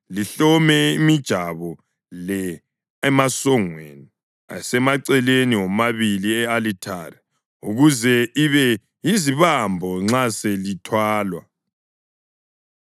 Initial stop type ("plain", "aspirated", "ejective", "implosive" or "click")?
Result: plain